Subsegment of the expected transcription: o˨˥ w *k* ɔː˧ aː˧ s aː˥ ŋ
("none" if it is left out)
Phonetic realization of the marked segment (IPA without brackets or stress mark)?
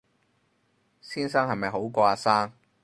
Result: k